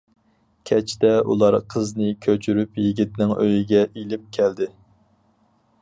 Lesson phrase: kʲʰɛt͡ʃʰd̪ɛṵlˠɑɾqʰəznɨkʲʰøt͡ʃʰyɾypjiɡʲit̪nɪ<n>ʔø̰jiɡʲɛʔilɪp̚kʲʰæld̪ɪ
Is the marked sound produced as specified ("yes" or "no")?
no